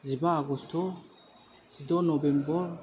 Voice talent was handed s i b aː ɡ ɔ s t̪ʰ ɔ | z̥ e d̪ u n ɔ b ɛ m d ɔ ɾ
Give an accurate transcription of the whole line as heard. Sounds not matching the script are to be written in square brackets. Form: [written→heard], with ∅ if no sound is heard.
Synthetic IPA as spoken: [s→z] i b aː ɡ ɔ s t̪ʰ ɔ | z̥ [e→i] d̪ [u→ɔ] n ɔ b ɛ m [d→b] ɔ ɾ